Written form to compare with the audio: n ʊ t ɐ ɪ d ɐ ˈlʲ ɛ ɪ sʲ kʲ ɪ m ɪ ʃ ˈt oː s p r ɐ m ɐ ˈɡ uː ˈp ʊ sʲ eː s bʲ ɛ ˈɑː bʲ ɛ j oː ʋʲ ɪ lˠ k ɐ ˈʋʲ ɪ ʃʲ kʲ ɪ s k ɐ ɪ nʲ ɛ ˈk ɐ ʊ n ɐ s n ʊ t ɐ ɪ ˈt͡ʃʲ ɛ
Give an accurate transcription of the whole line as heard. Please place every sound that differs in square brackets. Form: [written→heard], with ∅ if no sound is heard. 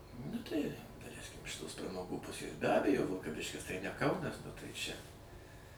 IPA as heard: n ʊ t ɐ ɪ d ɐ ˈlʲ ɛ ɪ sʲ kʲ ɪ m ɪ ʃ ˈt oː s p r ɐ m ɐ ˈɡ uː ˈp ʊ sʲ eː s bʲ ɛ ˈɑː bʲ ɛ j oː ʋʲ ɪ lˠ k ɐ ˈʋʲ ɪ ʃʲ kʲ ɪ s [k→t] ɐ ɪ nʲ ɛ ˈk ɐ ʊ n ɐ s n ʊ t ɐ ɪ ˈt͡ʃʲ ɛ